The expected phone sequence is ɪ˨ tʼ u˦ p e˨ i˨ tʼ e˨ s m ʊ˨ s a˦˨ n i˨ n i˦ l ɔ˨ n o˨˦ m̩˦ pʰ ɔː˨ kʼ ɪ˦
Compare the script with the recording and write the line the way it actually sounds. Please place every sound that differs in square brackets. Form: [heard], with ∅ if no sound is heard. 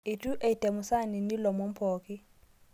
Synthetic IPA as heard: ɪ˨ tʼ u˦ [ʔ] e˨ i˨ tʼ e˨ [∅] m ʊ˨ s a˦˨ n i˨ n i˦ l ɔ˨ [m] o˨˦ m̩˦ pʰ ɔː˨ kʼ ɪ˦

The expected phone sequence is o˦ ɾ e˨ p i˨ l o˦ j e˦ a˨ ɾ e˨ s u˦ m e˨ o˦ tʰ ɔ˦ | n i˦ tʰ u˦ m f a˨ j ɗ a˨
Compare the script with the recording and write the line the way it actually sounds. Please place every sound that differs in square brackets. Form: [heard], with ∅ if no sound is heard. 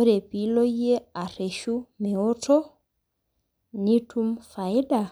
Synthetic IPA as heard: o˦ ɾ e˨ p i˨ l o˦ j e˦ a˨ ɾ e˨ [ʃ] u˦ m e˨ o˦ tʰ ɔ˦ | n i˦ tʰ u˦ m f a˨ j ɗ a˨

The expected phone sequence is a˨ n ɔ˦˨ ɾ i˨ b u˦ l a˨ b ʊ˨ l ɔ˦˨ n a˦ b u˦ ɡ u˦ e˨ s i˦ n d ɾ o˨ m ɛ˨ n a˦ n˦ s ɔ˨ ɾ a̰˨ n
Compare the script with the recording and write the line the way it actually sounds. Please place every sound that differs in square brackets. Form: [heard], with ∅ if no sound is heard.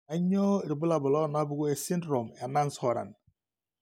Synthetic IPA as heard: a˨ [ɲ] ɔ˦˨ ɾ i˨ b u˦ l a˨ b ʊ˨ l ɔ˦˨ n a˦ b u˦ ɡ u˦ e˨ s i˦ n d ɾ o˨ m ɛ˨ n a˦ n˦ s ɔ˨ ɾ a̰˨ n

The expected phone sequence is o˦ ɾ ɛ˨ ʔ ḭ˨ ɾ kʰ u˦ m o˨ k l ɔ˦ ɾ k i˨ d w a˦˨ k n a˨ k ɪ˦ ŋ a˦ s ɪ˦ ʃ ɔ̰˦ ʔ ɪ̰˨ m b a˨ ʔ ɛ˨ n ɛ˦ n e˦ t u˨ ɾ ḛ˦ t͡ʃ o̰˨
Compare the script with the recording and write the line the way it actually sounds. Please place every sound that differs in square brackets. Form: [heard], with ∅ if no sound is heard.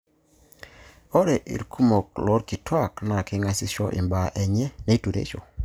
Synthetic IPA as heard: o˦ ɾ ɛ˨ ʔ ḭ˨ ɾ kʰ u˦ m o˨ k l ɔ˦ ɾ k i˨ [t] w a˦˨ k n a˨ k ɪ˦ ŋ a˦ s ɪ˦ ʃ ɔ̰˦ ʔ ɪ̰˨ m b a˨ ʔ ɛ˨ [ɲ] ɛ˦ n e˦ t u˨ ɾ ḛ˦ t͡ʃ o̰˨

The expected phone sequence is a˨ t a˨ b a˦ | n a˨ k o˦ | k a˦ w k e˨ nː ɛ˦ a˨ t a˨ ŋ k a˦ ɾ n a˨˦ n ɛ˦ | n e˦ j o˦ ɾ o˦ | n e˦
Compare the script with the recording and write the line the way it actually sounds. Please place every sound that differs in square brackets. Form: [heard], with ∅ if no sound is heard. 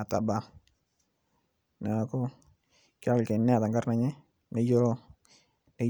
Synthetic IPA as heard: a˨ t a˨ b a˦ | n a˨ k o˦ | k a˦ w k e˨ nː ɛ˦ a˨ t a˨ ŋ [ɡ] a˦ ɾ n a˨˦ [ɲ] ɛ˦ | n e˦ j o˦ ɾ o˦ | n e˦

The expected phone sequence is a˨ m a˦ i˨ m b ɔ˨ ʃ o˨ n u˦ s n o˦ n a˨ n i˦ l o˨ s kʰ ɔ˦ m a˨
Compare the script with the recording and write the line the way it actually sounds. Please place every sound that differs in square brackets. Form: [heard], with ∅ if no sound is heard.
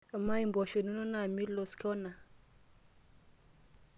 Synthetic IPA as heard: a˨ m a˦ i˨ m b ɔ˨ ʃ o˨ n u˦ [∅] n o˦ n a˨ [m] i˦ l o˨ s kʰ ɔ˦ [n] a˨

